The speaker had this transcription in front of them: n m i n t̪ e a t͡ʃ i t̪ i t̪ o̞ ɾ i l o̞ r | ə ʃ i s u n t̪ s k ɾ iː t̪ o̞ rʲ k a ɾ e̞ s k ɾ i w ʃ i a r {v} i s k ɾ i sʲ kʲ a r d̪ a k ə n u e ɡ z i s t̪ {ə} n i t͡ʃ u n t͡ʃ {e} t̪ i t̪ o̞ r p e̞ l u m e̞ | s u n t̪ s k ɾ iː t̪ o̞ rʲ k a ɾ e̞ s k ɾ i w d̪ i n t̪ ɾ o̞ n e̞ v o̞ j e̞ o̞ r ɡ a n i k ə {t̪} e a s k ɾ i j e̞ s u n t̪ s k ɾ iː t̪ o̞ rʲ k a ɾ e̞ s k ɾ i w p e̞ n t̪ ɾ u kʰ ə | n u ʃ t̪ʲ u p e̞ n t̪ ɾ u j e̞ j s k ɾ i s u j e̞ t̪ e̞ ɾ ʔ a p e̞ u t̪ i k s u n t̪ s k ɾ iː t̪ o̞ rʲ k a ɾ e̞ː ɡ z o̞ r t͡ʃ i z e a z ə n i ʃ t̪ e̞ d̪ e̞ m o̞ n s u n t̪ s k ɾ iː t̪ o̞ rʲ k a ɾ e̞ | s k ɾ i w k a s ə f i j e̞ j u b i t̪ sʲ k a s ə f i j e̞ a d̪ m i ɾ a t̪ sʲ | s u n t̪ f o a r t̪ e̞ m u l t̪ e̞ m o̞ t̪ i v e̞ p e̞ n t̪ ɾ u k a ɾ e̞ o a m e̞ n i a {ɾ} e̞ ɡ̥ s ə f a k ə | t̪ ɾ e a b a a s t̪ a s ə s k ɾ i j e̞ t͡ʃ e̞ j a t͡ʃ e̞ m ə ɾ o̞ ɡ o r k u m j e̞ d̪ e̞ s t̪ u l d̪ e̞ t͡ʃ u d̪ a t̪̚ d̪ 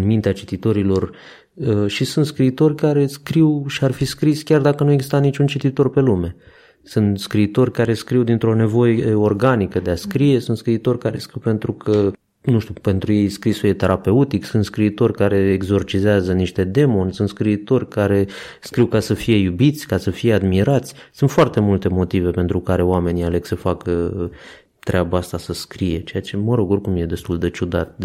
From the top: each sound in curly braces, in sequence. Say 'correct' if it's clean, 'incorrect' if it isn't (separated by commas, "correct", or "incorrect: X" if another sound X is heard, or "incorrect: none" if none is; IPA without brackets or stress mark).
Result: incorrect: f, incorrect: a, incorrect: i, incorrect: d̪, incorrect: l